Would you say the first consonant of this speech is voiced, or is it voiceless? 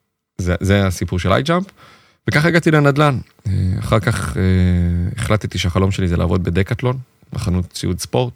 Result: voiced